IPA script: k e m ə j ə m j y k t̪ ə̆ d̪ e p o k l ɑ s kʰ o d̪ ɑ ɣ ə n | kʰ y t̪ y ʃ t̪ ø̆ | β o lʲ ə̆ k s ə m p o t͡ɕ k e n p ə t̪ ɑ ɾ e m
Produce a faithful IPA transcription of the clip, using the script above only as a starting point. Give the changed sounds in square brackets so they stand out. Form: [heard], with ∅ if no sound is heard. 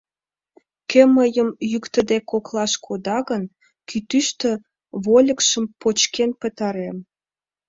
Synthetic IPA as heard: k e m ə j ə m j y k t̪ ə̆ d̪ e [k] o k l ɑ [ʃ] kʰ o d̪ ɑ ɣ ə n | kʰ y t̪ y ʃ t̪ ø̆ | β o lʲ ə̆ k [ʃ] ə m p o t͡ɕ k e n p ə t̪ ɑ ɾ e m